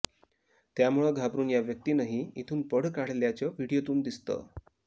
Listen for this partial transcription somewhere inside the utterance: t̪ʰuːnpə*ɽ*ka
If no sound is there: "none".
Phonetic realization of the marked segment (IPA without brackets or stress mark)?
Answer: ɽ